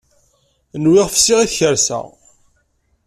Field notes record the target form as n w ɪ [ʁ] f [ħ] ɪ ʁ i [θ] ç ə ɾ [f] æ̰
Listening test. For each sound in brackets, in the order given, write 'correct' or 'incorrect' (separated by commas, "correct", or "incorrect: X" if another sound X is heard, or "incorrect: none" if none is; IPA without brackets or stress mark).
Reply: correct, incorrect: s, correct, incorrect: s